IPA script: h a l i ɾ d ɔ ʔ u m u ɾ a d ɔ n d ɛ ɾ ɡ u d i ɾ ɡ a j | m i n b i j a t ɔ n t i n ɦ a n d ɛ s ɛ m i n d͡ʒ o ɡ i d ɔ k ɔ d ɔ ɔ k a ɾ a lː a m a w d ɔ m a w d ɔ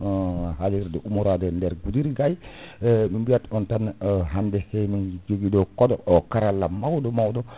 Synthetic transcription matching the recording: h a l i ɾ d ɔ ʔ u m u ɾ a d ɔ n d ɛ ɾ ɡ u d i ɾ ɡ a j | m i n b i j a t ɔ n t a n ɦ a n d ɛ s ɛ m i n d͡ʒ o ɡ i d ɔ k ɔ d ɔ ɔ k a ɾ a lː a m a w d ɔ m a w d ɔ

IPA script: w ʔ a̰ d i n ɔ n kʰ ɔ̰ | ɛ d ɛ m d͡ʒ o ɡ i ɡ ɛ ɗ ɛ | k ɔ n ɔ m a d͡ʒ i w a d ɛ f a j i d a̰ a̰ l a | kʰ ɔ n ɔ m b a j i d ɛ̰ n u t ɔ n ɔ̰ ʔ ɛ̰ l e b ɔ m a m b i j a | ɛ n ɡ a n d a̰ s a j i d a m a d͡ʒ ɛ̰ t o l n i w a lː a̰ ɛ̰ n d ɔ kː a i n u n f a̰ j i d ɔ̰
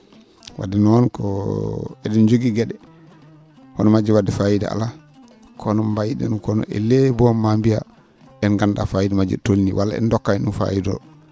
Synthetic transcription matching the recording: w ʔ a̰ d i n ɔ n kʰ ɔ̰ | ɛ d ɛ n d͡ʒ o ɡ i ɡ ɛ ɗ ɛ | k ɔ n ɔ m a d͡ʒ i w a d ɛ f a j i d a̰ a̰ l a | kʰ ɔ n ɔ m b a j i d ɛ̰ n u k ɔ n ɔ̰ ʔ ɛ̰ l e b ɔ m a m b i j a | ɛ n ɡ a n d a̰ f a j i d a m a d͡ʒ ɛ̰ t o l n i w a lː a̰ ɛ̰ n d ɔ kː a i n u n f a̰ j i d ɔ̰

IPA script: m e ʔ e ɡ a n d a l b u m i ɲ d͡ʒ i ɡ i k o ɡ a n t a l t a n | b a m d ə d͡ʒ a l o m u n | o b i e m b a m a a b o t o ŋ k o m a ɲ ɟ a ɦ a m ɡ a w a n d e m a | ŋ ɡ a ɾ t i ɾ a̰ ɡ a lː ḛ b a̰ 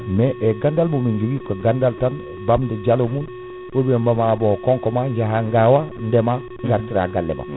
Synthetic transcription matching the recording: m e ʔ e ɡ a n d a l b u m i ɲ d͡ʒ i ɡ i k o ɡ a n d a l t a n | b a m d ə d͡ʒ a l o m u n | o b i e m b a m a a b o k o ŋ k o m a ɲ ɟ a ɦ a ŋ ɡ a w a n d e m a | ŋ ɡ a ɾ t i ɾ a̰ ɡ a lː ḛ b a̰

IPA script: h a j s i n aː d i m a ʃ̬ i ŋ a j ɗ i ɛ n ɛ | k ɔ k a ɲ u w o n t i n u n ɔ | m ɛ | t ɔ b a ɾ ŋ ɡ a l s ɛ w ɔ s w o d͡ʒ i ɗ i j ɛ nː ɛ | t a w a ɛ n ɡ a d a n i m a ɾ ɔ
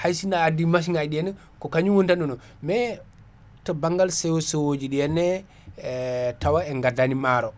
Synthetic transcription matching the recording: h a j s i n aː d i m a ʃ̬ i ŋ a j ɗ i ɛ n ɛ | k ɔ k a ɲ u w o n t a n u n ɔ | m ɛ | t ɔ b a ŋ ɡ a l s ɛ w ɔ s w o d͡ʒ i ɗ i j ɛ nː ɛ | t a w a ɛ ŋ ɡ a d a n i m a ɾ ɔ

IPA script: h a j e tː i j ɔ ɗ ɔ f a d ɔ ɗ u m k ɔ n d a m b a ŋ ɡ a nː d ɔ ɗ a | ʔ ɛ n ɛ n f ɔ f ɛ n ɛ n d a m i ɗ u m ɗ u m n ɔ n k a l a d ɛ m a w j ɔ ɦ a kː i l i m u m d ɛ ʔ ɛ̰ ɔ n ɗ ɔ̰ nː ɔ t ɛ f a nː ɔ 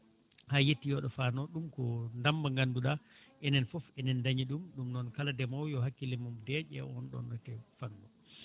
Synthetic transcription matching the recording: h a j e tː i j ɔ ɗ ɔ f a n ɔ ɗ u m k ɔ n d a m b a ŋ ɡ a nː d u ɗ a | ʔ ɛ n ɛ n f ɔ f ɛ n ɛ n d a ɲ i ɗ u m ɗ u m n ɔ n k a l a d ɛ m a w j ɔ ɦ a kː i l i m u m d ɛ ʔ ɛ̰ ɔ n ɗ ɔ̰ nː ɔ t ɛ f a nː ɔ

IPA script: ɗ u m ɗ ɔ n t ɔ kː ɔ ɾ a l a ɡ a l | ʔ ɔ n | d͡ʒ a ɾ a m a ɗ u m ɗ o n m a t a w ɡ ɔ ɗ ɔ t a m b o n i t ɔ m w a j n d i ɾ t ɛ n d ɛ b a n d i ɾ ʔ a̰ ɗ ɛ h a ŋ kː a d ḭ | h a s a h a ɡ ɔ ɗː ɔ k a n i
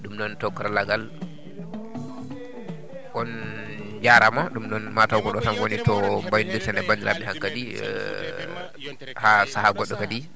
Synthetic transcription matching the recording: ɗ u m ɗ ɔ n t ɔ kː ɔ ɾ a l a ɡ a l | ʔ ɔ n | d͡ʒ a ɾ a m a ɗ u m ɗ ɔ n m a t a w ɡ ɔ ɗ ɔ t a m w o n i t ɔ m b a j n d i ɾ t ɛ n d ɛ b a n d i ɾ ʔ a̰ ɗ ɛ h a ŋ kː a d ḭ | h a s a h a ɡ ɔ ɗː ɔ k a d i

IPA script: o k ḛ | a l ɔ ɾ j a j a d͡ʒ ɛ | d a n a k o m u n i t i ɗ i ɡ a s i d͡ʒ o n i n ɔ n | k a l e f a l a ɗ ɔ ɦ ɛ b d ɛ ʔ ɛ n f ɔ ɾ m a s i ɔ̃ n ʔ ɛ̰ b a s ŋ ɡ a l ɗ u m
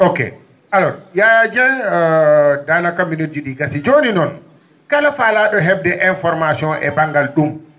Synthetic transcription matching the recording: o k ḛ | a l ɔ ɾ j a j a d͡ʒ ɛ | d a n a k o m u n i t i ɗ i ɡ a s i d͡ʒ o n i n ɔ n | k a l a f a l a ɗ ɔ ɦ ɛ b d ɛ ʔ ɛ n f ɔ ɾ m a s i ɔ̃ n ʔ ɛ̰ b a ŋ ɡ a l ɗ u m

